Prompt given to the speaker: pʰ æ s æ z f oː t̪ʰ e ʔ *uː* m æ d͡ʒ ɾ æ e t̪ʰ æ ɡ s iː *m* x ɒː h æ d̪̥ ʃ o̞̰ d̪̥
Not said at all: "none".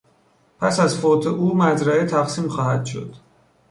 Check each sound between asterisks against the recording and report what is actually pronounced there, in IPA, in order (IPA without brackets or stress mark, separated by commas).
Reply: uː, m